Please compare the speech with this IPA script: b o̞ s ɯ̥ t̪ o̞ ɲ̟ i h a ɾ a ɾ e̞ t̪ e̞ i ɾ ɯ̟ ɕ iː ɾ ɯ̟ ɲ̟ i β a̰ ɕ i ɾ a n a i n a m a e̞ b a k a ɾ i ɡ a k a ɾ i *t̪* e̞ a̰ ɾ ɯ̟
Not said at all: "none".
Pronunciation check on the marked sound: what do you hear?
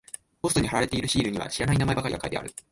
d̪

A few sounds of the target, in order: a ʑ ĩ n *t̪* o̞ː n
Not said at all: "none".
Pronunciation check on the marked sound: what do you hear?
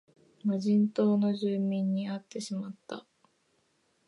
t̪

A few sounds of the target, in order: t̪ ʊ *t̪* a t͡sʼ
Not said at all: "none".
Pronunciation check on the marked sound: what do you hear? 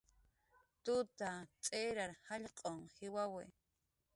t̪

